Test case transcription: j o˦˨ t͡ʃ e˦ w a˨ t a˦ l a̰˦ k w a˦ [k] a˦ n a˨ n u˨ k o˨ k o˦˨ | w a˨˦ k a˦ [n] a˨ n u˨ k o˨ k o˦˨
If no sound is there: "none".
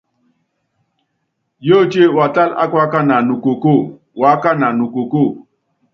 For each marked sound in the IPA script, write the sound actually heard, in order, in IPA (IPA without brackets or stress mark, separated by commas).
k, n